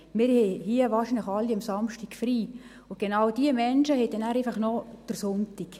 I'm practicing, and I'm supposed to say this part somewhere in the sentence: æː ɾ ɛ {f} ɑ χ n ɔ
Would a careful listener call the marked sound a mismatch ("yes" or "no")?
no